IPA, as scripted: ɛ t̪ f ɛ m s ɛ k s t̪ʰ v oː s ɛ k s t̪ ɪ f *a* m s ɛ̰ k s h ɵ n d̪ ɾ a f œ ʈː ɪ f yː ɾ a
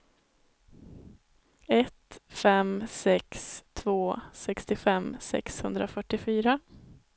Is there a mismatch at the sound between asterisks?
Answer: yes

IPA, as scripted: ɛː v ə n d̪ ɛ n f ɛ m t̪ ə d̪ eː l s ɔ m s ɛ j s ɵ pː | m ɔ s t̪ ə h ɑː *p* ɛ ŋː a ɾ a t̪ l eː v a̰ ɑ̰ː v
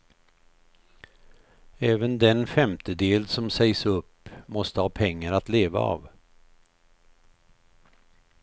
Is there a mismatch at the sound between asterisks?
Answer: yes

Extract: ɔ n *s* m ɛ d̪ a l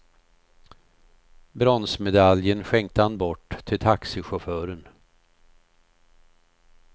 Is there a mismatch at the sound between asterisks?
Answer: no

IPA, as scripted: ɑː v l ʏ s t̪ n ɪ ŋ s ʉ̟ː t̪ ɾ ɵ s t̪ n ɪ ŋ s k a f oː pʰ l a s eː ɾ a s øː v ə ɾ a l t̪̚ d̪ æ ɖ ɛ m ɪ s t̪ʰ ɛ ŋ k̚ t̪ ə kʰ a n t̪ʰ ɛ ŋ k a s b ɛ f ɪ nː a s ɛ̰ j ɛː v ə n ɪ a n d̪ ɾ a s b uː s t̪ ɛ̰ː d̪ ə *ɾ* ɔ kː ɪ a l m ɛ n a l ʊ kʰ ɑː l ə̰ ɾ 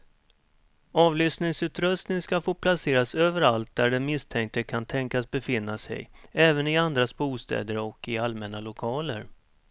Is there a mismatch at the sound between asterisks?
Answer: no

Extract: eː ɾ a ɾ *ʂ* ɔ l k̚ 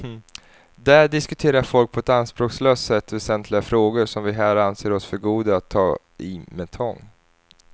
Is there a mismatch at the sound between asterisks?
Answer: yes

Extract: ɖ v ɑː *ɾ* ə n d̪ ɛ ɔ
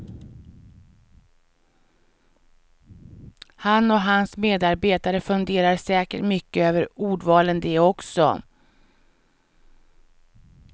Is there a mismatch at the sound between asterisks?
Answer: yes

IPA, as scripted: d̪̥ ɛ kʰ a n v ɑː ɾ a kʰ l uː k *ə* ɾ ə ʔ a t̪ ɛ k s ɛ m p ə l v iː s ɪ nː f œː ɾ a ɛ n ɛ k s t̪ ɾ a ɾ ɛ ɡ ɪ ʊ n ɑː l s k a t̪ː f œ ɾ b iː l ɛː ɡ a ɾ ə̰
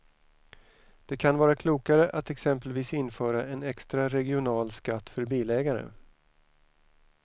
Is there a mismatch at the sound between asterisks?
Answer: yes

